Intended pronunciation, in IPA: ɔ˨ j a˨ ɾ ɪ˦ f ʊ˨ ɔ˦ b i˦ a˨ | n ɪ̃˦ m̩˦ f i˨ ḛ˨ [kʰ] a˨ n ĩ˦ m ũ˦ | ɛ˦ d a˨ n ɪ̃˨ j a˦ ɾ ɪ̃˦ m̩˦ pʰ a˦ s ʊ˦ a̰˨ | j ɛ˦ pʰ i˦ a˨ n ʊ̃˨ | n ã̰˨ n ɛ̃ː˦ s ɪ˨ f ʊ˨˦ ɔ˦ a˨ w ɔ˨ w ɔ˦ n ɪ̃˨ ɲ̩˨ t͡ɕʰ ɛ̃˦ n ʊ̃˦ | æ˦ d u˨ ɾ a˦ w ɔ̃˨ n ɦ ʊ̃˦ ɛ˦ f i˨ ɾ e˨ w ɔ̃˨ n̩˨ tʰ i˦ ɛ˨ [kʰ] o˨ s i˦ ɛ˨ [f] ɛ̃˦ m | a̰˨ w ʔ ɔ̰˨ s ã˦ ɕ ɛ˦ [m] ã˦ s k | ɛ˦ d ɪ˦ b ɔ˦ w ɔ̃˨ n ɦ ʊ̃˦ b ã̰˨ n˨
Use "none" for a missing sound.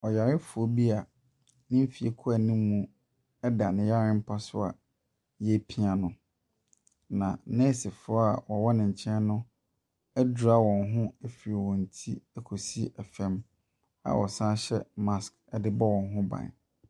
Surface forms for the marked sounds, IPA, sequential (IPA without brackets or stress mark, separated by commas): kʰ, kʰ, f, m